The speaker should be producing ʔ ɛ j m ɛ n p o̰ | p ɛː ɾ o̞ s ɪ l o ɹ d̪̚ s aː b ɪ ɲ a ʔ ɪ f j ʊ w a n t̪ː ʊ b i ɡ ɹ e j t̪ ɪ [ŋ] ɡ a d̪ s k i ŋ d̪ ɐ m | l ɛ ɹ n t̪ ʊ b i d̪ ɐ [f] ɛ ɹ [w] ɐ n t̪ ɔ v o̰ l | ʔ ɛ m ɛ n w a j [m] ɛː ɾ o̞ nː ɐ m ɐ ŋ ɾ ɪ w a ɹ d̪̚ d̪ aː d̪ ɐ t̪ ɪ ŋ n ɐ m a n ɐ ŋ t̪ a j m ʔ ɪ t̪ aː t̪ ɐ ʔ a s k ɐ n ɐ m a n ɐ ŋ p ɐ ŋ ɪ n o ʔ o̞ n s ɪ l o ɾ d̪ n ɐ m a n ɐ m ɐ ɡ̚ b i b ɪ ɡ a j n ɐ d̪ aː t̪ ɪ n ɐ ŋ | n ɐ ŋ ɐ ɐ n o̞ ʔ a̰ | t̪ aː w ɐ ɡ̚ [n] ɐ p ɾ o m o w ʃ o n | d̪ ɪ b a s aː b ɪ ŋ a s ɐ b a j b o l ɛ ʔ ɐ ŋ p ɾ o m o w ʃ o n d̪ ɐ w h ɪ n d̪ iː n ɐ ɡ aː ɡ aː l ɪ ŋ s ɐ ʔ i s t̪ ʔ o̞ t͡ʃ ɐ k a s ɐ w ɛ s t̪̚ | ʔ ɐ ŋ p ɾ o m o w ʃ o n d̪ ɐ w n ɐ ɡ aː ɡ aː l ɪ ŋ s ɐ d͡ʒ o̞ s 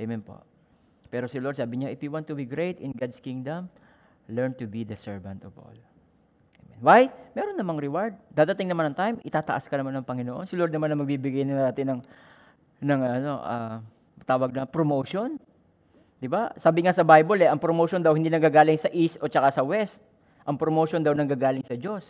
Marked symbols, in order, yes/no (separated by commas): no, no, no, yes, yes